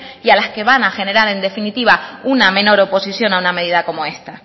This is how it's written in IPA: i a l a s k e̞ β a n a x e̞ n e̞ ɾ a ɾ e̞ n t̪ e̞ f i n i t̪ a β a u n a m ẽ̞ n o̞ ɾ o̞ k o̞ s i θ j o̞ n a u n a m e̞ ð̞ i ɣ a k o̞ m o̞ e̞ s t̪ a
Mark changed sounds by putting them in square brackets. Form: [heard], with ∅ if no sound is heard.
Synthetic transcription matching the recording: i a l a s k e̞ β a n a x e̞ n e̞ ɾ a ɾ e̞ n [d̪] e̞ f i n i t̪ [i] β a u n a m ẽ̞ n o̞ ɾ o̞ [p] o̞ s i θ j o̞ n a u n a m e̞ ð̞ i [ð] a k o̞ m o̞ e̞ s t̪ a

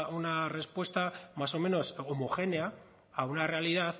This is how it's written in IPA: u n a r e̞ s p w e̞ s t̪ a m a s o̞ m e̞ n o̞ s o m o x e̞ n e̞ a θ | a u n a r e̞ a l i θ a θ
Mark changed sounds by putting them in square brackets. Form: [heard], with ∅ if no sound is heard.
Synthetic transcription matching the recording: u n a r e̞ s p w e̞ s t̪ a m a s o̞ m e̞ n o̞ s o m o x e̞ n e̞ a [∅] | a u n a r e̞ a l i [ð] a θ

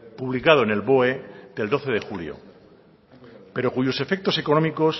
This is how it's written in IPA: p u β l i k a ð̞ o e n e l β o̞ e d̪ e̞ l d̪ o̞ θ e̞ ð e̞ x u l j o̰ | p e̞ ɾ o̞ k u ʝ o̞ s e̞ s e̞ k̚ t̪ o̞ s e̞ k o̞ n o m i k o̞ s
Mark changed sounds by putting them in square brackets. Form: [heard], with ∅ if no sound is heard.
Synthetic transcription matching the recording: p u β l i k a ð̞ o e n e l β o̞ e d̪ e̞ l d̪ o̞ θ e̞ ð e̞ x u l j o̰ | p e̞ ɾ o̞ k u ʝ o̞ s e̞ [f] e̞ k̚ t̪ o̞ s e̞ k o̞ n o m i k o̞ s

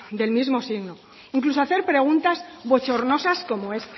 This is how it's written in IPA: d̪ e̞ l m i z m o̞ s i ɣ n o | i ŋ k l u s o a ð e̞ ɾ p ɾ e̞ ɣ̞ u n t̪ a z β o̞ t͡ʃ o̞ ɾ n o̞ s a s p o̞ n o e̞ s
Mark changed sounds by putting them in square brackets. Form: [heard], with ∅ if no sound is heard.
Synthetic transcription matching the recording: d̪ e̞ l m i z m o̞ s i ɣ n o | i ŋ k l u s o a [θ] e̞ ɾ p ɾ e̞ ɣ̞ u n t̪ a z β o̞ t͡ʃ o̞ ɾ n o̞ s a s [k] o̞ [m] o e̞ s

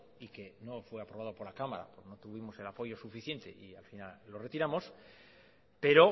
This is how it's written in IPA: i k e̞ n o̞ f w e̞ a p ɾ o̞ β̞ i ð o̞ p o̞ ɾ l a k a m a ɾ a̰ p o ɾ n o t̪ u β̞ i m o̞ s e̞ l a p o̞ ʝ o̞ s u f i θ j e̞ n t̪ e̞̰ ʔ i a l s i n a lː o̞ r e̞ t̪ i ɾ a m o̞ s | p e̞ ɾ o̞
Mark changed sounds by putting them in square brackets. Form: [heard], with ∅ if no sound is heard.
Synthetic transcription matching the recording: i k e̞ n o̞ f w e̞ a p ɾ o̞ β̞ [a] ð o̞ p o̞ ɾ l a k a m a ɾ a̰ p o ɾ n o t̪ u β̞ i m o̞ s e̞ l a p o̞ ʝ o̞ s u f i θ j e̞ n t̪ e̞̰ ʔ i a l [f] i n a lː o̞ r e̞ t̪ i ɾ a m o̞ s | p e̞ ɾ o̞

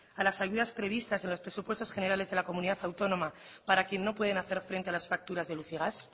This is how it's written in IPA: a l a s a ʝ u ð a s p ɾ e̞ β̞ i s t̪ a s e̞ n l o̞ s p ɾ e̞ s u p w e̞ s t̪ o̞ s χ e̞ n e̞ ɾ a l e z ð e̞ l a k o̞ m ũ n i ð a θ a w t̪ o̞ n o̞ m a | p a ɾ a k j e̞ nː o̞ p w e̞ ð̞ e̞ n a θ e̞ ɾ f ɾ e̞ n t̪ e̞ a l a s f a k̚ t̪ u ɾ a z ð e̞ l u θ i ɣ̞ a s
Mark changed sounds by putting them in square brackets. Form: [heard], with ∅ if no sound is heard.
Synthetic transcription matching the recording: a l a s a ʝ u ð a s p ɾ e̞ β̞ i s t̪ a s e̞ n l o̞ s p ɾ e̞ s u p w e̞ s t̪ o̞ s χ e̞ n e̞ ɾ a l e z ð e̞ l a k o̞ m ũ n i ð a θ a w t̪ o̞ n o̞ m a | p a ɾ a k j e̞ nː o̞ p w e̞ ð̞ e̞ n a θ e̞ ɾ f ɾ e̞ n t̪ e̞ a l a s f a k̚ t̪ u ɾ a z ð e̞ l u θ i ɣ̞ a s

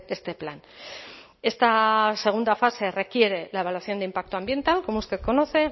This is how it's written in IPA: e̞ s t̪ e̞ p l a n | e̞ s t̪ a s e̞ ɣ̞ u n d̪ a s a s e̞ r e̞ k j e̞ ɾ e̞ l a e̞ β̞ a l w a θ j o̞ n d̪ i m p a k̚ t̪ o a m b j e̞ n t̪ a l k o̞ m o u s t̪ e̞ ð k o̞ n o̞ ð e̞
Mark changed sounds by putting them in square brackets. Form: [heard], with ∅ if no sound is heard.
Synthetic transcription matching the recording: e̞ s t̪ e̞ p l a n | e̞ s t̪ a s e̞ ɣ̞ u n d̪ a [f] a s e̞ r e̞ k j e̞ ɾ e̞ l a e̞ β̞ a l w a θ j o̞ n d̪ i m p a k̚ t̪ o a m b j e̞ n t̪ a l k o̞ m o u s t̪ e̞ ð k o̞ n o̞ [θ] e̞

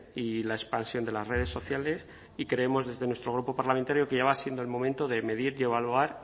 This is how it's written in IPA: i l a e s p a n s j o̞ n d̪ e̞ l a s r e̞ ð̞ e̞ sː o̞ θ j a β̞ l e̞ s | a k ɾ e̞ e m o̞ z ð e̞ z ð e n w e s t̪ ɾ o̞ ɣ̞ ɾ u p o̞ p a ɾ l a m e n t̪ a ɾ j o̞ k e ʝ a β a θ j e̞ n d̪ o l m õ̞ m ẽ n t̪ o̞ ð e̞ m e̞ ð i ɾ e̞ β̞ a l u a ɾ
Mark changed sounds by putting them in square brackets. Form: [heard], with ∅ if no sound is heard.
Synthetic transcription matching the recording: i l a e s p a n s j o̞ n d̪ e̞ l a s r e̞ ð̞ e̞ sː o̞ θ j a [∅] l e̞ s | [i] k ɾ e̞ e m o̞ z ð e̞ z ð e n w e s t̪ ɾ o̞ ɣ̞ ɾ u p o̞ p a ɾ l a m e n t̪ a ɾ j o̞ k e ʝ a β a [s] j e̞ n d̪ o l m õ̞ m ẽ n t̪ o̞ ð e̞ m e̞ ð i ɾ e̞ β̞ a l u a ɾ

